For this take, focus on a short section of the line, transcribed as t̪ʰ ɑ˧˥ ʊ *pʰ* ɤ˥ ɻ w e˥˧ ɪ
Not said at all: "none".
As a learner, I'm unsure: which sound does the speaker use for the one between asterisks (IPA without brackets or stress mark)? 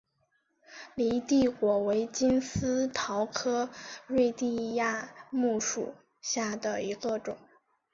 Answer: kʰ